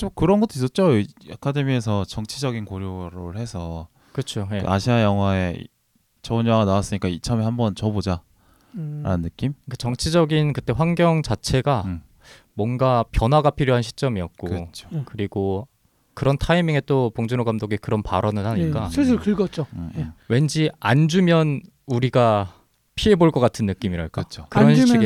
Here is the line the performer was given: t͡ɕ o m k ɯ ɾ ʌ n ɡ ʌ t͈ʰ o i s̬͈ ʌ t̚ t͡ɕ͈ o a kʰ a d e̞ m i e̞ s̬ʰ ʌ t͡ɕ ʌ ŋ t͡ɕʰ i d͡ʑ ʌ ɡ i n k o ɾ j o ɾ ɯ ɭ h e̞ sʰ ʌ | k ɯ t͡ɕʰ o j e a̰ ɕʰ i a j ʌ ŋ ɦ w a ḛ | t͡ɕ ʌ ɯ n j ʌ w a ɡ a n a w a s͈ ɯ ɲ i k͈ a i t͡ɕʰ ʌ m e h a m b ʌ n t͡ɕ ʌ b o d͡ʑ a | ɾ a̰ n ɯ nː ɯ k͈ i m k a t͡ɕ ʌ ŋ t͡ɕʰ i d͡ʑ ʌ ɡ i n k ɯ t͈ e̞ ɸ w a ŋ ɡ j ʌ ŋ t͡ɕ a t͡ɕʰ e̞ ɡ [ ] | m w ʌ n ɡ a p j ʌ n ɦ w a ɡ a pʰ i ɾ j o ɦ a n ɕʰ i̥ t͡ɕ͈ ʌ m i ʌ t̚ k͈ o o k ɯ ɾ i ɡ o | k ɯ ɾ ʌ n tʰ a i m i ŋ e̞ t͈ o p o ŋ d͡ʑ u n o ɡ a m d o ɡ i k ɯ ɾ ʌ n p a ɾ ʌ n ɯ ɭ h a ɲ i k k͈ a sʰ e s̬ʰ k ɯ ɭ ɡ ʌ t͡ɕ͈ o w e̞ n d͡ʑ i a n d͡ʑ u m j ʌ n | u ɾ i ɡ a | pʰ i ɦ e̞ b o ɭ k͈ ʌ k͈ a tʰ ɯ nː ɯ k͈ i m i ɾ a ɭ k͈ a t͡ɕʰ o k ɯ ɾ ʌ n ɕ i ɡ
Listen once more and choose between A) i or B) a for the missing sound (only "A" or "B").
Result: B